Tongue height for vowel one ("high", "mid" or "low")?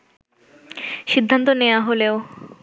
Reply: high